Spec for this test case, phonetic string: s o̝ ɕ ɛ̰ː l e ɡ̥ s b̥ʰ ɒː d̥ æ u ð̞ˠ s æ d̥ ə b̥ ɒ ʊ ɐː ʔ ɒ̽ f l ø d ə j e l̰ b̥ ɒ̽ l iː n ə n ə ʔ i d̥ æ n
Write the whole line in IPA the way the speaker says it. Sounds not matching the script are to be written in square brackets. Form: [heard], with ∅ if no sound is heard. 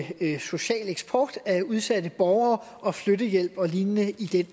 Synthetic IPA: s o̝ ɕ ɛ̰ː l e ɡ̥ s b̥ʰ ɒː d̥ æ u ð̞ˠ s æ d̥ ə b̥ ɒ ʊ ɐː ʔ ɒ̽ f l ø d ə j e l̰ b̥ ɒ̽ l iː n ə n ə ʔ i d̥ [e] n

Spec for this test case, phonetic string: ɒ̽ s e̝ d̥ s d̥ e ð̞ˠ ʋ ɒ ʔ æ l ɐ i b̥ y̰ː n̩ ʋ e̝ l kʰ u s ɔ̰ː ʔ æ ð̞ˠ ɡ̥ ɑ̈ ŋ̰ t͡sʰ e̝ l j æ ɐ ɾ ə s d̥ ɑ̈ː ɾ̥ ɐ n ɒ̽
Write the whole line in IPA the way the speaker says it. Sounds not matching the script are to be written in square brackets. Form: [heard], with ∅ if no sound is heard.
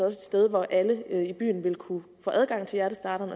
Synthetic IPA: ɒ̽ s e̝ d̥ s d̥ e ð̞ˠ ʋ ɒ ʔ æ l [ə] i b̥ y̰ː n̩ ʋ e̝ l kʰ u [f] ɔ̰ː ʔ æ ð̞ˠ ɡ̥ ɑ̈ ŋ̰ t͡sʰ e̝ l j æ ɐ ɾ ə s d̥ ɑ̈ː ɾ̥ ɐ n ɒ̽

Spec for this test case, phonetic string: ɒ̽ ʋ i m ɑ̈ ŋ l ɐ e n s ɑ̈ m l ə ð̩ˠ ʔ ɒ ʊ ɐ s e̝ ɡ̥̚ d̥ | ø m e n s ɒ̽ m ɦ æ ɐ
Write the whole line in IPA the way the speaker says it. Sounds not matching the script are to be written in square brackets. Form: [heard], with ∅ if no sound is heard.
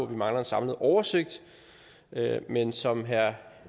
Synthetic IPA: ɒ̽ ʋ i m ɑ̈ ŋ l ɐ e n s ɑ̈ m l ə ð̩ˠ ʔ ɒ ʊ ɐ s e̝ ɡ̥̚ d̥ | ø m e n s ɒ̽ m ɦ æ ɐ

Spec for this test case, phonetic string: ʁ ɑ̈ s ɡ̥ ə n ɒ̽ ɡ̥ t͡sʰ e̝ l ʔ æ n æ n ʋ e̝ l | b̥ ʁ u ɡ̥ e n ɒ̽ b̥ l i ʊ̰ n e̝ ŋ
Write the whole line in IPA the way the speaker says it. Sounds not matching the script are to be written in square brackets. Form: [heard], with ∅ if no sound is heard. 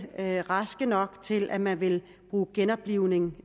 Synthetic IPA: ʁ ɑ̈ s ɡ̥ ə n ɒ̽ ɡ̥ t͡sʰ e̝ l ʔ æ [m] æ n ʋ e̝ l | b̥ ʁ [uː] ɡ̥ e n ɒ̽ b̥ l i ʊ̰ n e̝ ŋ

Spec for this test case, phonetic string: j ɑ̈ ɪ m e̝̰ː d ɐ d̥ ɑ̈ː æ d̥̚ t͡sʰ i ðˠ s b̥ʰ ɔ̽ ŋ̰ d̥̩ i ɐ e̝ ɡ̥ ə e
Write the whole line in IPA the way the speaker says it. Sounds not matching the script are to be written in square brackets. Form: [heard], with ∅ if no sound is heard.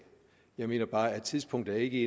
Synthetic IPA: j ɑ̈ ɪ m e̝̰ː [n] ɐ [b̥] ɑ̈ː æ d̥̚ t͡sʰ i ðˠ s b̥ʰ ɔ̽ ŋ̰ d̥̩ [æ] ɐ e̝ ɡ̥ ə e

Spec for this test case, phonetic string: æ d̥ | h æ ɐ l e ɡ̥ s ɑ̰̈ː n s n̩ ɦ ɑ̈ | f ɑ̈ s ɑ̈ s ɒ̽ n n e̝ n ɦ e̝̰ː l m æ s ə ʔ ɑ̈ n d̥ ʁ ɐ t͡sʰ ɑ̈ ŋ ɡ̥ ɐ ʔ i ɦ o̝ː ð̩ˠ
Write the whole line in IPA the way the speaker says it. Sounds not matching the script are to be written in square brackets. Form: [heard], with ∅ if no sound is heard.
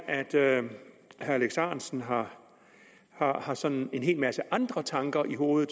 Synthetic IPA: æ d̥ | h æ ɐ l e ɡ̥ s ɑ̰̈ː n s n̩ ɦ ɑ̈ | [h] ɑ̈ [h] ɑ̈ s ɒ̽ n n e̝ n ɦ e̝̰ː l m æ s ə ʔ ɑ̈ n d̥ ʁ ɐ t͡sʰ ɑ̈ ŋ ɡ̥ ɐ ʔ i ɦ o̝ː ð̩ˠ

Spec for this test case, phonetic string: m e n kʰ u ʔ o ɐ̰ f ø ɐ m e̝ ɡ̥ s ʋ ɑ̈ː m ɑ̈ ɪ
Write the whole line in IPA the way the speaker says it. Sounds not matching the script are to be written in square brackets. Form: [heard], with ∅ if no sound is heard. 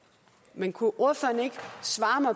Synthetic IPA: m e n kʰ u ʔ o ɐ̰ f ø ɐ [n] e̝ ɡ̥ s ʋ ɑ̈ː m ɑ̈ ɪ

